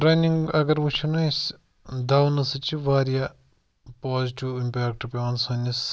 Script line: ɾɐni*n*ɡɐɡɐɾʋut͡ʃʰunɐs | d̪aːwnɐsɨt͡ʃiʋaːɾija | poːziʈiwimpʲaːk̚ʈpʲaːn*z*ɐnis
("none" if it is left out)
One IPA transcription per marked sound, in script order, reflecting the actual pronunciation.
ŋ, s

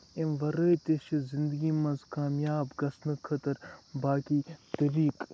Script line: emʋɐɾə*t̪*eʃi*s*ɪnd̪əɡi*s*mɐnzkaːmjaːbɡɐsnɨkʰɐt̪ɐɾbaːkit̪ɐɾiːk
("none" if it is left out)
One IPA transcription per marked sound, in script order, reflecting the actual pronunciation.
t̪, z, none

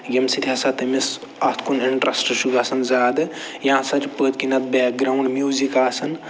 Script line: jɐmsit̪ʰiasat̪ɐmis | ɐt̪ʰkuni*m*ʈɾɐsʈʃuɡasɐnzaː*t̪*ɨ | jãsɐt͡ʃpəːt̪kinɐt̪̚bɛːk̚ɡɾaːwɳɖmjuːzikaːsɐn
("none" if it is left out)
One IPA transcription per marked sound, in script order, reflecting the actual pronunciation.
ɳ, d̪

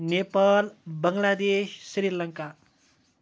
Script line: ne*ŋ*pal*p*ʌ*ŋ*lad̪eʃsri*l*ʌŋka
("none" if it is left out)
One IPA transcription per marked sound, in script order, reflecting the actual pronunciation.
none, b, ŋ, l

